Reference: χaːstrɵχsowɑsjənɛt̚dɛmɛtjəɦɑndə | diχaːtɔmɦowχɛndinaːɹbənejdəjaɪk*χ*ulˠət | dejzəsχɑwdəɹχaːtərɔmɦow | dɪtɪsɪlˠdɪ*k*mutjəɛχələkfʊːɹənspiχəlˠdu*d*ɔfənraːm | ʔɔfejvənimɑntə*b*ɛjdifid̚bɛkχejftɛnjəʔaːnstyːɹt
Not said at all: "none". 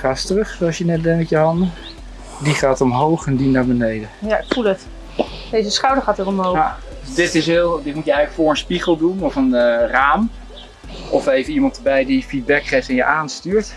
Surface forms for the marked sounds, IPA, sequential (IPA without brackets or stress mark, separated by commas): f, t, n, b